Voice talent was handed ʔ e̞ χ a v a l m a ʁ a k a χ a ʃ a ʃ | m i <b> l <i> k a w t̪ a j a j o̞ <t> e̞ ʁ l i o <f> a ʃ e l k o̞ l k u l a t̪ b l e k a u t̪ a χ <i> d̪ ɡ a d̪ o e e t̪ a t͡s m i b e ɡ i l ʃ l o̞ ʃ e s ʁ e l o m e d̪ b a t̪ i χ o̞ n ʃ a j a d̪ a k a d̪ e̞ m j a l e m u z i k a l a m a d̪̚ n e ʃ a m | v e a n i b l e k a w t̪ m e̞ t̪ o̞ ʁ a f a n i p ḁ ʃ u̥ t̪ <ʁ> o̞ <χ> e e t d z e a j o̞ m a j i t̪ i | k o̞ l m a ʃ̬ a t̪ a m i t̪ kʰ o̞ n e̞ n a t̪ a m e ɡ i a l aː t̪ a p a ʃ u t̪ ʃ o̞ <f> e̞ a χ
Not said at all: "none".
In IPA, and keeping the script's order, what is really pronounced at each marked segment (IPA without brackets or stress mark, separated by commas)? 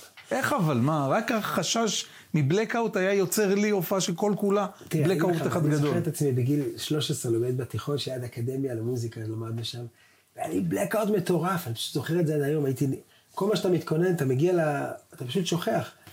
b, e, t͡s, f, a, z, χ, χ